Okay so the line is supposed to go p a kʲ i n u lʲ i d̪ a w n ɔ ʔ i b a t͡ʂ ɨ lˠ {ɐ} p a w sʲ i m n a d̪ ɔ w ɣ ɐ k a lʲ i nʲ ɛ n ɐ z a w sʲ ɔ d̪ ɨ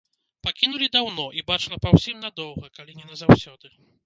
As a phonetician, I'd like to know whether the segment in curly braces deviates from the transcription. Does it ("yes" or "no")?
no